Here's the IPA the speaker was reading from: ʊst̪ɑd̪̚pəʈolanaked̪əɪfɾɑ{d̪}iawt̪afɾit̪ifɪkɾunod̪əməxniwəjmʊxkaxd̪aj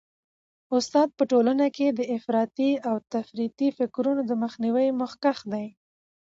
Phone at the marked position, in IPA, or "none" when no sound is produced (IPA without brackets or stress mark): t̪